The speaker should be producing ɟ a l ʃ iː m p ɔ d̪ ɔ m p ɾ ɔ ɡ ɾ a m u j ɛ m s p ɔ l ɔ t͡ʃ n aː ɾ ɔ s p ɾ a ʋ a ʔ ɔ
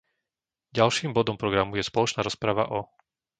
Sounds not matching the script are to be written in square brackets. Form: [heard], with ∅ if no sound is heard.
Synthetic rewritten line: ɟ a l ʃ iː m [b] ɔ d̪ ɔ m p ɾ ɔ ɡ ɾ a m u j ɛ [∅] s p ɔ l ɔ t͡ʃ n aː ɾ ɔ s p ɾ a ʋ a ʔ ɔ